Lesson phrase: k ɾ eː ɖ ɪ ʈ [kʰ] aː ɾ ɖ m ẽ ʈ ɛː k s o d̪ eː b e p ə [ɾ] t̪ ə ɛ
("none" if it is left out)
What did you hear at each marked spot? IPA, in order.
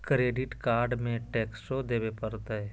k, ɾ

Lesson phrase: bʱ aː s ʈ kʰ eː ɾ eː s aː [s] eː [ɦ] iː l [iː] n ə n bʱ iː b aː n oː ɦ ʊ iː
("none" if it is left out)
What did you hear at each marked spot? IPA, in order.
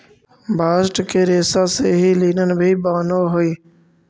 s, ɦ, iː

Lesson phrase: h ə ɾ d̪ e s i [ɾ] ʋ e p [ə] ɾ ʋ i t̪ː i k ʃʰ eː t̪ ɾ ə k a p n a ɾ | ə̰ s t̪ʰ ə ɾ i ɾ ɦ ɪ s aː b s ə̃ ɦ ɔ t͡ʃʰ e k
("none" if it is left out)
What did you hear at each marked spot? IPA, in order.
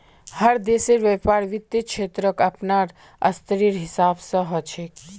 ɾ, a

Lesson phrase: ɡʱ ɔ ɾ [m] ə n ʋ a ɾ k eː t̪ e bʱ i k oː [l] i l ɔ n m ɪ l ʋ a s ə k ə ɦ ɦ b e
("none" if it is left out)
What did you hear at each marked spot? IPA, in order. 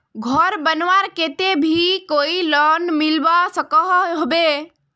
b, none

